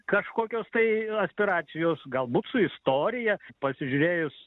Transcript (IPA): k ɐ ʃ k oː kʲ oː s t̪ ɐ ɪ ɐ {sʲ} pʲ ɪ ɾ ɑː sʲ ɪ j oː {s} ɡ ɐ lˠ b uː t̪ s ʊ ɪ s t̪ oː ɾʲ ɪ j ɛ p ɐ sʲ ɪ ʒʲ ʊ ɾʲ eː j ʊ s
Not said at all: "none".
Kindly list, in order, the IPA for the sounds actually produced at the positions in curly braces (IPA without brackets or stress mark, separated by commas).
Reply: sʲ, s